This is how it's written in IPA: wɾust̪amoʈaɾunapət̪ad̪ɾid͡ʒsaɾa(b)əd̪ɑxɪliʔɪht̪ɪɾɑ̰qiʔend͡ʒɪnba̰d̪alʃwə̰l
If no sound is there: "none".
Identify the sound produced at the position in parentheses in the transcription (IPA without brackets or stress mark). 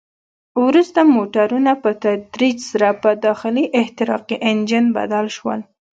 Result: p